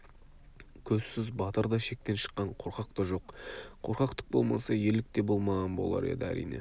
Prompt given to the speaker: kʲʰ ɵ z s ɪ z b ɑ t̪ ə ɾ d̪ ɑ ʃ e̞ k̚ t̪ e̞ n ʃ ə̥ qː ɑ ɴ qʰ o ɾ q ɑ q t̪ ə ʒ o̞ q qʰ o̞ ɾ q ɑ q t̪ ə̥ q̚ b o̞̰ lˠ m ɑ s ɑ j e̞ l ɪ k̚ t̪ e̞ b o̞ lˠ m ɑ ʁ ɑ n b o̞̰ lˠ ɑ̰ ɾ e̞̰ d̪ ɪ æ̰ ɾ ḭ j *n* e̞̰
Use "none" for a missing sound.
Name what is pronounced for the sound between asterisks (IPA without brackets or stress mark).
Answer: n